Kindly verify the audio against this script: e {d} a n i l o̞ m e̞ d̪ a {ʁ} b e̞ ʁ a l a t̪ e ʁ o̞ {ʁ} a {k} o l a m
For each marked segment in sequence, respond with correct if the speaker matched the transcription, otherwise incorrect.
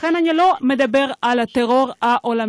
incorrect: n, incorrect: none, correct, incorrect: ʔ

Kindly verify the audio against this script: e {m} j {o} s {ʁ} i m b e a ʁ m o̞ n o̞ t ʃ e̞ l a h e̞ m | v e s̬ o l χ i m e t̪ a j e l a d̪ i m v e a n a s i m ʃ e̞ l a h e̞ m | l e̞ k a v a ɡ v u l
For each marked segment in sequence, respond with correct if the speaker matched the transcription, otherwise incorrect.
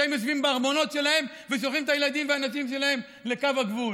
correct, correct, incorrect: v

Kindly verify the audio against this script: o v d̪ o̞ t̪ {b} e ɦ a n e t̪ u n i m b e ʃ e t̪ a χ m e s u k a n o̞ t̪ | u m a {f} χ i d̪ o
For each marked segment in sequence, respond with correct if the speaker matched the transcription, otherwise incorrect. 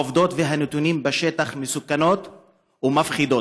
incorrect: v, correct

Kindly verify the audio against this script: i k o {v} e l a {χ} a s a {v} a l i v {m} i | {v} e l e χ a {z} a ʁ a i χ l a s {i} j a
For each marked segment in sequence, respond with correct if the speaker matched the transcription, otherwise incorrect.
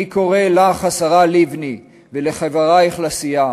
incorrect: ʁ, correct, incorrect: ʁ, incorrect: n, correct, incorrect: v, correct

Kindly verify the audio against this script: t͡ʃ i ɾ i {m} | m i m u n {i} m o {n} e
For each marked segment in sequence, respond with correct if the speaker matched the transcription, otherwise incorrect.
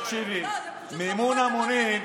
incorrect: none, incorrect: a, correct

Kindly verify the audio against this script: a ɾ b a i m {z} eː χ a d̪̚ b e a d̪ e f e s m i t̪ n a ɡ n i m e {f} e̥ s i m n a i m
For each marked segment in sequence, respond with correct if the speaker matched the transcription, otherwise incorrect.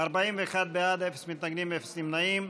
incorrect: v, correct

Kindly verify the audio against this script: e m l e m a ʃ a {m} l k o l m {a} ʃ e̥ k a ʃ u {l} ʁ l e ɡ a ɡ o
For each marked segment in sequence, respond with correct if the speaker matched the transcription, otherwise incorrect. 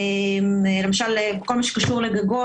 incorrect: none, correct, incorrect: none

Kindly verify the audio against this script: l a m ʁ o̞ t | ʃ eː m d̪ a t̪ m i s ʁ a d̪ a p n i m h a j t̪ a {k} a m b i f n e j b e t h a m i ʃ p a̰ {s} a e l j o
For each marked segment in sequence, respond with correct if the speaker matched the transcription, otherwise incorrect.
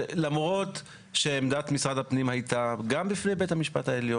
incorrect: ɡ, incorrect: t

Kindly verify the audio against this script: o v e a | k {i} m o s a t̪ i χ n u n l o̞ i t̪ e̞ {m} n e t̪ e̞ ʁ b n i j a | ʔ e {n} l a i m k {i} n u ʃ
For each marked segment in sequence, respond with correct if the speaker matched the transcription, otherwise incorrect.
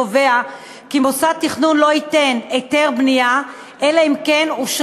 correct, incorrect: none, incorrect: none, incorrect: e

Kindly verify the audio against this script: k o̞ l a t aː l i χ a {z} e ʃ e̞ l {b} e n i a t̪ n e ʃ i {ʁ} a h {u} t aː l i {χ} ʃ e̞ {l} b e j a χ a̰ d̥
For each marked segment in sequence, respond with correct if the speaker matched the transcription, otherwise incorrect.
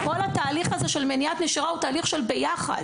correct, incorrect: m, correct, correct, correct, correct

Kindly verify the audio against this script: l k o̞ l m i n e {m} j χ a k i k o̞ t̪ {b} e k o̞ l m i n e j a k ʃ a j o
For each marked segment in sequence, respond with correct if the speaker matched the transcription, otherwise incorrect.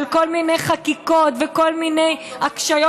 incorrect: none, incorrect: v

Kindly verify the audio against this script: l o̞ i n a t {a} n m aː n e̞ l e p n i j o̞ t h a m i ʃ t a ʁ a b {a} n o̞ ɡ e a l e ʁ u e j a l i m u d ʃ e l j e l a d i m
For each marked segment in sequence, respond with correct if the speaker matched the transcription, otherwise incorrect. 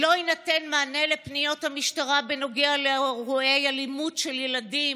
incorrect: e, incorrect: e

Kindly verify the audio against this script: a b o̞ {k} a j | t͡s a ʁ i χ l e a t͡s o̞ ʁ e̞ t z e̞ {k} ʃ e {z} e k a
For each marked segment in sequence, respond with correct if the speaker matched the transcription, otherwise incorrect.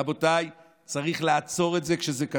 incorrect: t, correct, correct

